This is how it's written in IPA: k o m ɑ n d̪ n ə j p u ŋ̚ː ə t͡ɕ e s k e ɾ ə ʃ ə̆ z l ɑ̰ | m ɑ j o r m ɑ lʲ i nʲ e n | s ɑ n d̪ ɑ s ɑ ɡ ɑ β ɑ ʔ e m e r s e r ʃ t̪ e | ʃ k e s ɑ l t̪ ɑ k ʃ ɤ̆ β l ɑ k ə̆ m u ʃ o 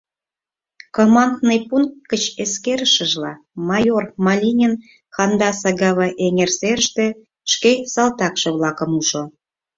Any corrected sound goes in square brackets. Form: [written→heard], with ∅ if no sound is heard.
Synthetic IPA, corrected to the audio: k o m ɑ n d̪ n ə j p u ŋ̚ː ə t͡ɕ e s k e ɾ ə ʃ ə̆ [z→ʒ] l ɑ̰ | m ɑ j o r m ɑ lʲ i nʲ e n | [s→x] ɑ n d̪ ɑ s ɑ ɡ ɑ β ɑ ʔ e [m→ŋ] e r s e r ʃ t̪ e | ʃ k e s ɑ l t̪ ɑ k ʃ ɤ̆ β l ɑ k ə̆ m u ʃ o